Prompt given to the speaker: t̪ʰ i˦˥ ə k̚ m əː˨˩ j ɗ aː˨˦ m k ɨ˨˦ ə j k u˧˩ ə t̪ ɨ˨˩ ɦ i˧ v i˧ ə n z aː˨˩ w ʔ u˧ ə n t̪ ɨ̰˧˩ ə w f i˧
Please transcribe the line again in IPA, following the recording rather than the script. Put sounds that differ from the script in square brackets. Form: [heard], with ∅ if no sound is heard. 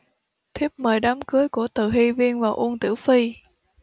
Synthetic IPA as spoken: t̪ʰ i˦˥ ə [p̚] m əː˨˩ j ɗ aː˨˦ m k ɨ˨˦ ə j k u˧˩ ə t̪ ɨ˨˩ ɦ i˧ v i˧ ə n [v] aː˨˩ w ʔ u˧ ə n t̪ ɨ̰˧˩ ə w f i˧